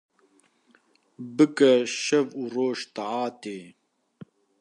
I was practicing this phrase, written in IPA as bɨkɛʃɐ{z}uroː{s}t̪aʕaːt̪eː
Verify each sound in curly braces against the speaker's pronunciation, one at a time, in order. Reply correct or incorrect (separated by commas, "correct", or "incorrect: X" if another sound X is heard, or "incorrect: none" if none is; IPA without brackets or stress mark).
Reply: incorrect: v, incorrect: ʃ